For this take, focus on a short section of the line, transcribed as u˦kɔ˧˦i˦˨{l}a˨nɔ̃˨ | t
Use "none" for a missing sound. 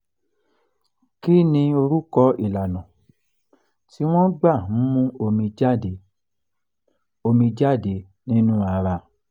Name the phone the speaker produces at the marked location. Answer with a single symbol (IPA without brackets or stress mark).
l